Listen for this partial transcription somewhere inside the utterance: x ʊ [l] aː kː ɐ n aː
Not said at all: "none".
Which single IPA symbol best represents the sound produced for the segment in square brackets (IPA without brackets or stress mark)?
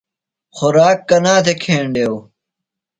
ɾ